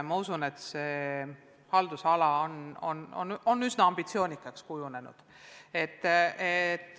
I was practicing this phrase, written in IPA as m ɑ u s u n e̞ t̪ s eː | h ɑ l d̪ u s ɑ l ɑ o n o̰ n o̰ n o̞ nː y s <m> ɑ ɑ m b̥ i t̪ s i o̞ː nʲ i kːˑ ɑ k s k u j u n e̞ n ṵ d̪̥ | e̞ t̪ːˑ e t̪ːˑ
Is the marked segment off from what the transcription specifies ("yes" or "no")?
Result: yes